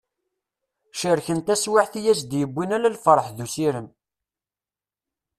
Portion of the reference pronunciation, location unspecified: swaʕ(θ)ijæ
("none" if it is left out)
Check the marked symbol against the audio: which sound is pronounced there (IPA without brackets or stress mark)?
θ